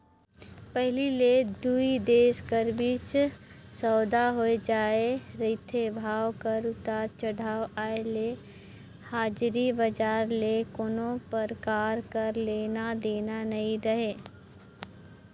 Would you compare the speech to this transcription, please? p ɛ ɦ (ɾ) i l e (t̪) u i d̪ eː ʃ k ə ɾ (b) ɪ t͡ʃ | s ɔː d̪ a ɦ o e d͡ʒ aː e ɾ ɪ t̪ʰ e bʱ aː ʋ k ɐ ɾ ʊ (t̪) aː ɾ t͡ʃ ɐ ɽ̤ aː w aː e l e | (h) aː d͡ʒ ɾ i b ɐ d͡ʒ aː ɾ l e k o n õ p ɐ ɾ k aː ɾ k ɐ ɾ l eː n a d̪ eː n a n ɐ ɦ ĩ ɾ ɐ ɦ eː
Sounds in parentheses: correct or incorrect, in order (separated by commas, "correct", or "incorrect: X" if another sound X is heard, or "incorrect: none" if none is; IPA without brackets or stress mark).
incorrect: l, incorrect: d̪, correct, correct, correct